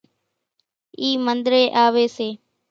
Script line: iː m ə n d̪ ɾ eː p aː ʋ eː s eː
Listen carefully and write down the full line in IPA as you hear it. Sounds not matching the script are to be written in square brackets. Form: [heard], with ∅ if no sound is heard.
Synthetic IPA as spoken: iː m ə n d̪ ɾ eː [ʔ] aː ʋ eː s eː